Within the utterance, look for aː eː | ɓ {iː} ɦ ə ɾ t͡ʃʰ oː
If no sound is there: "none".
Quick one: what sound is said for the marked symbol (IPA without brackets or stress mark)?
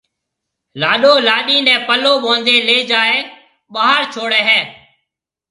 aː